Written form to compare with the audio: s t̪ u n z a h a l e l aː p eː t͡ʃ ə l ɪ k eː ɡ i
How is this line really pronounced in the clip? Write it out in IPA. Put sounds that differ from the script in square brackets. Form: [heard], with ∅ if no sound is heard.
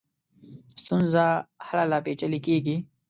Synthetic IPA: s t̪ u n z a h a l [a] l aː p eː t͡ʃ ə l [i] k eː ɡ i